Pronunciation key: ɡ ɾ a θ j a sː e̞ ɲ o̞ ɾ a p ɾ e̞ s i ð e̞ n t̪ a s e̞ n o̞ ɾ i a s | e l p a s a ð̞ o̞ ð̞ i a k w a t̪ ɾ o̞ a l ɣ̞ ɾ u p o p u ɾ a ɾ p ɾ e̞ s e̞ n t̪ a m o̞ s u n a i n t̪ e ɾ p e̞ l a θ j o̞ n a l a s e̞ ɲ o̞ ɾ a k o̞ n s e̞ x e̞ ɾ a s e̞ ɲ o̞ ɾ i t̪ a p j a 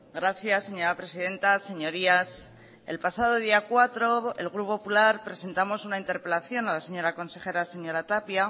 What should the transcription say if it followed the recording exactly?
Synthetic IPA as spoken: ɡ ɾ a θ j a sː e̞ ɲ o̞ ɾ a p ɾ e̞ s i ð e̞ n t̪ a s e̞ ɲ o̞ ɾ i a s | e l p a s a ð̞ o̞ ð̞ i a k w a t̪ ɾ o̞ e l ɣ̞ ɾ u p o p u l a ɾ p ɾ e̞ s e̞ n t̪ a m o̞ s u n a i n t̪ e ɾ p e̞ l a θ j o̞ n a l a s e̞ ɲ o̞ ɾ a k o̞ n s e̞ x e̞ ɾ a s e̞ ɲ o̞ ɾ a t̪ a p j a